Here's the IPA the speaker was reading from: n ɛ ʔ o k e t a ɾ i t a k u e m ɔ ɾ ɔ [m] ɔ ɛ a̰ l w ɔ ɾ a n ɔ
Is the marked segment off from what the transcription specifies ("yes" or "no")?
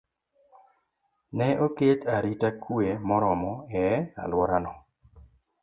no